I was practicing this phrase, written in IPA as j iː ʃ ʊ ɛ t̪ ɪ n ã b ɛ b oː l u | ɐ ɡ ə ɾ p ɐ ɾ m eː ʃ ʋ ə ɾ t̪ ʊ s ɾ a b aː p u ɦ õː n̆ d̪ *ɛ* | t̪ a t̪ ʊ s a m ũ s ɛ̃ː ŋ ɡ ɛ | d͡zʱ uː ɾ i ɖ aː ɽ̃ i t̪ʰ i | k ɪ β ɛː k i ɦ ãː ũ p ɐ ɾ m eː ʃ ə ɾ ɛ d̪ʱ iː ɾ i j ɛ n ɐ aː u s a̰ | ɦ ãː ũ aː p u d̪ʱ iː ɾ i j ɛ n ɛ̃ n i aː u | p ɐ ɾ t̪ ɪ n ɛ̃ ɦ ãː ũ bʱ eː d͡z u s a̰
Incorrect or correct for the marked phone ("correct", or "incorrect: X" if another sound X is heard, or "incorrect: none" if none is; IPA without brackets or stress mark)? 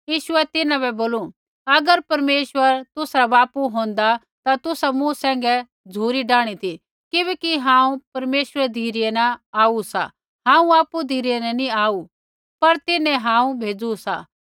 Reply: incorrect: a